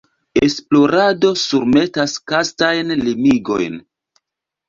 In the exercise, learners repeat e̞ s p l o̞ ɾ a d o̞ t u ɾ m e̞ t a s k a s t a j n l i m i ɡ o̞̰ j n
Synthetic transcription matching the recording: e̞ s p l o̞ ɾ a d o̞ s u ɾ m e̞ t a s k a s t a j n l i m i ɡ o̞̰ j n